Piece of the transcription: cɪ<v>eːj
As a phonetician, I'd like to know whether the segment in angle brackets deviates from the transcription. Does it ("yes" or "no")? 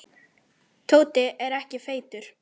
yes